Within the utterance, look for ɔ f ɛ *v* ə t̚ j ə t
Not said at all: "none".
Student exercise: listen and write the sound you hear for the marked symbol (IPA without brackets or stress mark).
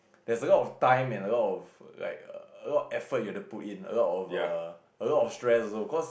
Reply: f